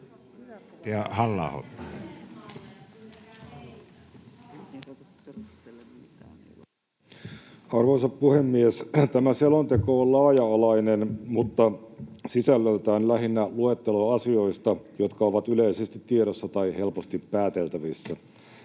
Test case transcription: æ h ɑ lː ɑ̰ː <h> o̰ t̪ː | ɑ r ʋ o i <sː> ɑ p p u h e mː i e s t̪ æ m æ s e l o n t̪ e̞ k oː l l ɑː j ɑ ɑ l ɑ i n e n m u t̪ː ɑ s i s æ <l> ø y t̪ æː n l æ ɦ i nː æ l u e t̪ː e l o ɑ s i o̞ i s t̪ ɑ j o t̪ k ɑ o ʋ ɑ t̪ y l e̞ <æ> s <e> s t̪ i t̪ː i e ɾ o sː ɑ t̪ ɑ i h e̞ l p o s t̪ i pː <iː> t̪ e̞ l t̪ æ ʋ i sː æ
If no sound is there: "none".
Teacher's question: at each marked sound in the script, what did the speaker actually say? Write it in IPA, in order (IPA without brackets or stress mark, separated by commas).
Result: h, s, lː, i, e, æː